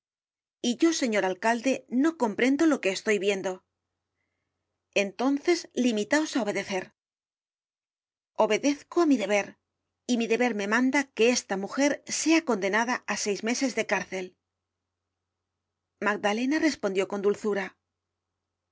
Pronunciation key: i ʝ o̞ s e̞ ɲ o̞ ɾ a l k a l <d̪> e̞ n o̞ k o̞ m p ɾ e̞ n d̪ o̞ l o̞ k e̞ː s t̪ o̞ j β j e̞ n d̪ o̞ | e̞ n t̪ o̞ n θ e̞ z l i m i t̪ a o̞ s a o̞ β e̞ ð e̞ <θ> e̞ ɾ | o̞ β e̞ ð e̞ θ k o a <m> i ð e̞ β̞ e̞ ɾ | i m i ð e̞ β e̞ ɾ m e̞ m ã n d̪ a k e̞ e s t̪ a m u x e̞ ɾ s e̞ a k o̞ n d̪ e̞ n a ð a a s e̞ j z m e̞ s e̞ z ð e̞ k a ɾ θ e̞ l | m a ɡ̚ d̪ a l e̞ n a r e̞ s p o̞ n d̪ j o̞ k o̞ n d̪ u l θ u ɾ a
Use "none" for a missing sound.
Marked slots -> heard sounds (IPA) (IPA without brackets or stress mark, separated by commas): d̪, θ, m